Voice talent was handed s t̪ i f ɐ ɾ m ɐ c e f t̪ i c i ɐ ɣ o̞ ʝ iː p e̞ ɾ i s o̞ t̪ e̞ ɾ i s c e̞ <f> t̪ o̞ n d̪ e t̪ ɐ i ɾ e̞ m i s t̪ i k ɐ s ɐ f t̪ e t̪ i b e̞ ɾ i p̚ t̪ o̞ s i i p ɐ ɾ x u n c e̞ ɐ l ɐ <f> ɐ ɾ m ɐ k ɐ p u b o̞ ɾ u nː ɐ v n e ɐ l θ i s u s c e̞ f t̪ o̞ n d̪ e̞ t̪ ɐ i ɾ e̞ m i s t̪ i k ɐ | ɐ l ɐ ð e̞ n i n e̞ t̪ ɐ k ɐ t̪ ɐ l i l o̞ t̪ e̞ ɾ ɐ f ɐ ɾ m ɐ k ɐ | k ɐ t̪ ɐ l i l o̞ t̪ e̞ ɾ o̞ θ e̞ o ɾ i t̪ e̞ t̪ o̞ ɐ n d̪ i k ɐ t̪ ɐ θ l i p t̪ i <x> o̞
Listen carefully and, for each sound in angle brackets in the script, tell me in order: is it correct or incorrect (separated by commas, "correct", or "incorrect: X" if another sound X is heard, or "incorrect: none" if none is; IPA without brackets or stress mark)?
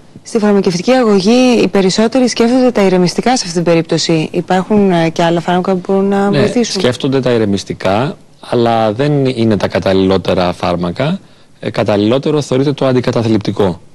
correct, correct, incorrect: k